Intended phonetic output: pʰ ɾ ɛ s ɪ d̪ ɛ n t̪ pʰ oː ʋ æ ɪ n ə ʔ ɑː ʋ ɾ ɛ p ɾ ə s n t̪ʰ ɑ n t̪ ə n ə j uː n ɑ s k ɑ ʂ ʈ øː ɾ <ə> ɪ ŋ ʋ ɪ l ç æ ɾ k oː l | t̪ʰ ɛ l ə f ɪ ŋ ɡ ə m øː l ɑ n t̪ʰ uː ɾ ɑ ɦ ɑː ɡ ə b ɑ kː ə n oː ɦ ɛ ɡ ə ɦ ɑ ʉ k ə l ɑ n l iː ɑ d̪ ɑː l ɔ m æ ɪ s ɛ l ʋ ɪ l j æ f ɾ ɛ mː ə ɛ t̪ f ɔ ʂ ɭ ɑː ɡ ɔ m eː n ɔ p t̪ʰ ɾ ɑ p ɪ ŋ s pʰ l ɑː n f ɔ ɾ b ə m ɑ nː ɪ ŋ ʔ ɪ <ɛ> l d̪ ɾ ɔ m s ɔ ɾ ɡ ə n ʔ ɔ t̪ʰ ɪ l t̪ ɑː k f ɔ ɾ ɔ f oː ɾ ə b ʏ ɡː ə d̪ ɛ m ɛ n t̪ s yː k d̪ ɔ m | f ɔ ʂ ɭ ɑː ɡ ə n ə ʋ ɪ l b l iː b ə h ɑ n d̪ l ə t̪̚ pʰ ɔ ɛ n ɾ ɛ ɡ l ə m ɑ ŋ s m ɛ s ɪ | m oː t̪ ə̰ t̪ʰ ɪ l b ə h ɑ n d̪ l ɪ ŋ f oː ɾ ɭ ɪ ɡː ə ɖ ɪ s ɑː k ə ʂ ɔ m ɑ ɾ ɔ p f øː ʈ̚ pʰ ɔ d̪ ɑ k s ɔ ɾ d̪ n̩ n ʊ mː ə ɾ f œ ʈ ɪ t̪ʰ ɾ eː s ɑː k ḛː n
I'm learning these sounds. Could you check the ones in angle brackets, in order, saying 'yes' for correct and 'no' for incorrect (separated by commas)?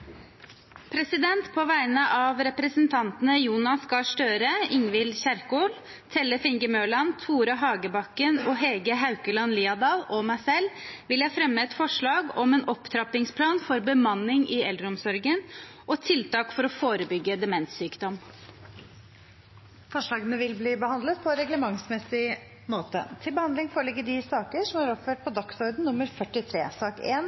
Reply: yes, yes